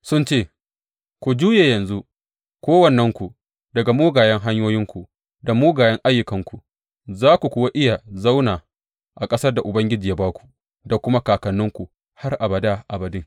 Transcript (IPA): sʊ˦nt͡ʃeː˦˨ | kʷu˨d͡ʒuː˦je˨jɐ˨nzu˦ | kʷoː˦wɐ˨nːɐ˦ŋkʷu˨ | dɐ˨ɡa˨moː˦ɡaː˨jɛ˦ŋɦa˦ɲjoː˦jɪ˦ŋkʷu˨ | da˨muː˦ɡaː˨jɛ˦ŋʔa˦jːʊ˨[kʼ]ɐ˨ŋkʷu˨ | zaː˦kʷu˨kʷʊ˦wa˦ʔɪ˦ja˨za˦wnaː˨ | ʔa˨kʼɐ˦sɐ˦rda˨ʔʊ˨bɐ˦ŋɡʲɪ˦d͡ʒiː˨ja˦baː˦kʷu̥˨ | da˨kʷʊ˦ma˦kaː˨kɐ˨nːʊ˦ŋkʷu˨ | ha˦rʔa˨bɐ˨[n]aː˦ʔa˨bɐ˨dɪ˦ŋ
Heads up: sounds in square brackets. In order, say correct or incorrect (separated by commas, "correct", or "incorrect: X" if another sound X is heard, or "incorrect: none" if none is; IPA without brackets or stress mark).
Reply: incorrect: k, incorrect: d